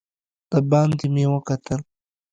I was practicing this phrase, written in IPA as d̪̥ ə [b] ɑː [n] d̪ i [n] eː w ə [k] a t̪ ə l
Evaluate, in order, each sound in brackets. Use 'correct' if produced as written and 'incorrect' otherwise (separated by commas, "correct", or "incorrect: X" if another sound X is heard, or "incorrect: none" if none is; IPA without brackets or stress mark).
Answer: correct, correct, incorrect: m, correct